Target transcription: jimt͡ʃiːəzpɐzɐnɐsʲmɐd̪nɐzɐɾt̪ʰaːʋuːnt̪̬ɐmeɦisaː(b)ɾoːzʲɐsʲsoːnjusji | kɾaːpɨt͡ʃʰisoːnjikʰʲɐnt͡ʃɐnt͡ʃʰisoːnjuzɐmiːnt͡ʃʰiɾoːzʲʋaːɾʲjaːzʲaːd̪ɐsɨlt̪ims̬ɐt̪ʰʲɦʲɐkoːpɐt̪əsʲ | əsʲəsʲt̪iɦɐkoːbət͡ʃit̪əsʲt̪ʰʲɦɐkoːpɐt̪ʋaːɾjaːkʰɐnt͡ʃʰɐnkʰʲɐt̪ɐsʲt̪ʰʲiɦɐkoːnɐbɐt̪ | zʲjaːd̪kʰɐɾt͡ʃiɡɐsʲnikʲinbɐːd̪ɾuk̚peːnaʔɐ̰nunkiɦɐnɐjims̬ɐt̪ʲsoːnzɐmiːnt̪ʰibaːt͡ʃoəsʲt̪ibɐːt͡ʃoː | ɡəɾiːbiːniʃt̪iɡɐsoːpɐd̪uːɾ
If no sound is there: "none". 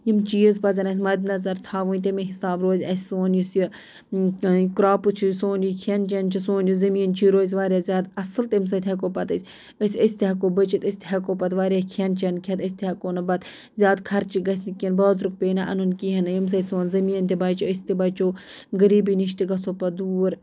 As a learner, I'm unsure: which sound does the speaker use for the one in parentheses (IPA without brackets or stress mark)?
b